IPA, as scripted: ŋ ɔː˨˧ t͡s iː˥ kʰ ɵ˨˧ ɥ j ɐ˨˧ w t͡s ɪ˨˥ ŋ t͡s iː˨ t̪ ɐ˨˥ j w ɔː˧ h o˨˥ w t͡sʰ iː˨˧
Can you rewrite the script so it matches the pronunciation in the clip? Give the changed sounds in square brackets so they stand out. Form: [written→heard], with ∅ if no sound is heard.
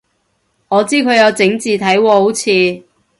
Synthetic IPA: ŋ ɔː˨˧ t͡s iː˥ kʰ ɵ˨˧ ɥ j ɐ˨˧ w t͡s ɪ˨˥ ŋ t͡s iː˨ [t̪→t̪ʰ] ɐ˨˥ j w ɔː˧ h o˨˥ w t͡sʰ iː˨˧